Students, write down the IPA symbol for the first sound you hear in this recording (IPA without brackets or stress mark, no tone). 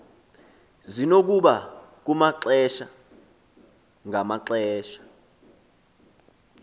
z